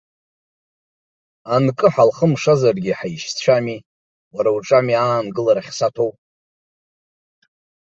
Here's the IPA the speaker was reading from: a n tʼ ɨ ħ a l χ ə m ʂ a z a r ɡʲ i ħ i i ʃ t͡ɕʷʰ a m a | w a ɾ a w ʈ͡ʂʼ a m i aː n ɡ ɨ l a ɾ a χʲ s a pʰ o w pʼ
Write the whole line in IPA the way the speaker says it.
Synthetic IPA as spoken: a n kʼ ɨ ħ a l χ ə m ʂ a z a r ɡʲ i ħ a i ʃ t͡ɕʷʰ a m i | w a ɾ a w ʈ͡ʂʼ a m i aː n ɡ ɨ l a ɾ a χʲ s a tʰ o w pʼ